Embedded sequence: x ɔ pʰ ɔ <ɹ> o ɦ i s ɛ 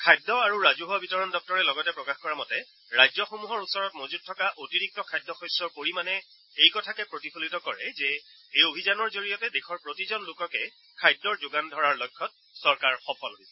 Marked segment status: incorrect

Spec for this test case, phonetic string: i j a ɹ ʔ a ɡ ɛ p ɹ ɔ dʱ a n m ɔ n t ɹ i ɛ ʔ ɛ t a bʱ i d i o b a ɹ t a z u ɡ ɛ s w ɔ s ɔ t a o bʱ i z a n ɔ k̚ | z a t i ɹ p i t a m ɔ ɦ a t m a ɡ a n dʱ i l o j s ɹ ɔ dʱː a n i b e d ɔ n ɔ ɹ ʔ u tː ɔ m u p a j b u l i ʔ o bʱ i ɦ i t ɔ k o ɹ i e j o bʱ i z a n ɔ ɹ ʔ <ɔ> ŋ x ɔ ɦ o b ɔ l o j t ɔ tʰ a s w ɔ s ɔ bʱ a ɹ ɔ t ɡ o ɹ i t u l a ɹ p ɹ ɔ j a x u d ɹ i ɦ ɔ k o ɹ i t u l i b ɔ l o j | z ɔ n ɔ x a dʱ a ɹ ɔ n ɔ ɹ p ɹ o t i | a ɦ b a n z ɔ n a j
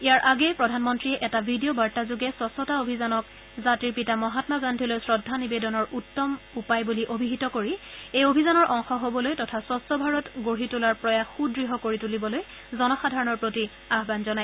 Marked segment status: correct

